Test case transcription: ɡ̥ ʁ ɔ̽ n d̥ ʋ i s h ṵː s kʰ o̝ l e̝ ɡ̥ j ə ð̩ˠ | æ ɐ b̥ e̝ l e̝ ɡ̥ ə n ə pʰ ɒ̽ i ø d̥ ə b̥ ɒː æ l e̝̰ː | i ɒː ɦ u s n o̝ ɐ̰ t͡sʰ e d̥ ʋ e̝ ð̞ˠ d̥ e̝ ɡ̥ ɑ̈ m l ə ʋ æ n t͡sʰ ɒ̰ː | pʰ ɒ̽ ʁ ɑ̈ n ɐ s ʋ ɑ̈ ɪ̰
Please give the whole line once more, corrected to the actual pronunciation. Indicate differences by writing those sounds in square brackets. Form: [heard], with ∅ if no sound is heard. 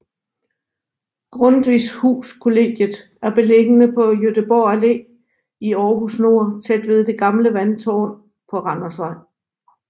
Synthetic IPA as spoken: ɡ̥ ʁ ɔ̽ n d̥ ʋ i s h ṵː s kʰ o̝ l e̝ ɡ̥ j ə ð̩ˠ | æ ɐ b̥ e̝ l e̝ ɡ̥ ə n ə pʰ ɒ̽ [j] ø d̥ ə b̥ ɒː æ l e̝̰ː | i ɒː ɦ u s n o̝ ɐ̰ t͡sʰ e d̥ ʋ e̝ ð̞ˠ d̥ e̝ ɡ̥ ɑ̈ m l ə ʋ æ n t͡sʰ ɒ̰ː | pʰ ɒ̽ ʁ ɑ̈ n ɐ s ʋ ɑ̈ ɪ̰